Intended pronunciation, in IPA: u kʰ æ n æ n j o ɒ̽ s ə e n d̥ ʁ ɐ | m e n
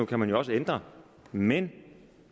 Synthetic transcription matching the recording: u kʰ æ m æ n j o ɒ̽ s ə e n d̥ ʁ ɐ | m e n